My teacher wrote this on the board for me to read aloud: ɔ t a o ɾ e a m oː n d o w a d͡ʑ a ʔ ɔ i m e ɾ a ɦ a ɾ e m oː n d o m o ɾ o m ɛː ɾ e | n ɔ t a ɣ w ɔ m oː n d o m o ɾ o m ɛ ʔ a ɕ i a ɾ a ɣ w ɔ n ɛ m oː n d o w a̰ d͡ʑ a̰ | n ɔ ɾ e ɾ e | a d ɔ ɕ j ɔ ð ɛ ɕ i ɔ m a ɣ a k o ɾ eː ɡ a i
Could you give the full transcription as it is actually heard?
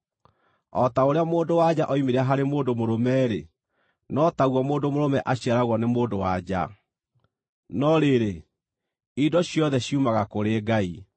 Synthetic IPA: ɔ t a o ɾ e a m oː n d o w a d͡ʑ a ʔ ɔ i m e ɾ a ɦ a ɾ e m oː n d o m o ɾ o m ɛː ɾ e | n ɔ t a ɣ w ɔ m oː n d o m o ɾ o m ɛ ʔ a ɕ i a ɾ a ɣ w ɔ n e m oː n d o w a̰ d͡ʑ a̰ | n ɔ ɾ e ɾ e | i d ɔ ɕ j ɔ ð ɛ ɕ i u m a ɣ a k o ɾ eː ɡ a i